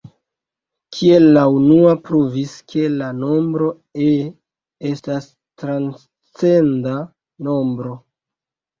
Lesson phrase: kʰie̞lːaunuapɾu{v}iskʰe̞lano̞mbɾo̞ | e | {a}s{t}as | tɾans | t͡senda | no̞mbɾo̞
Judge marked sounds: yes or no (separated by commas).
yes, no, yes